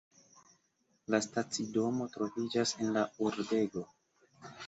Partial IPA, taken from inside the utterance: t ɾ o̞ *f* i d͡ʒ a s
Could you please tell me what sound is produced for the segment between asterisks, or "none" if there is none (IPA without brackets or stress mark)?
v